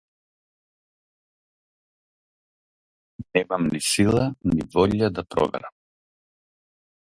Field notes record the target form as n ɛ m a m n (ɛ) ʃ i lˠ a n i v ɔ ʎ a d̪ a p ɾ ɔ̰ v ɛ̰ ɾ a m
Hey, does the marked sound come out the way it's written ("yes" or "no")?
no